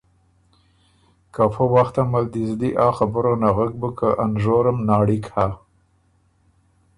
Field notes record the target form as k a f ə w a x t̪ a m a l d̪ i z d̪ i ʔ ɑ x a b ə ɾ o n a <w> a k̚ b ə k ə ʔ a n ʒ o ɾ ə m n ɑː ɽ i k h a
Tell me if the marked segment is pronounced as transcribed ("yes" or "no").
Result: no